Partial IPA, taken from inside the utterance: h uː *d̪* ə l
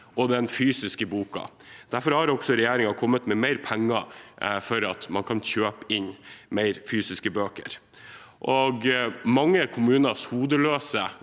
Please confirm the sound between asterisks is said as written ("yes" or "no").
yes